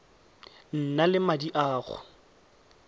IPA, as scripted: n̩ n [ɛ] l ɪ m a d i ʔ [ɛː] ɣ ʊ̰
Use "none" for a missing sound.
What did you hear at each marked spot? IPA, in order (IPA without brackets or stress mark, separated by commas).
a, aː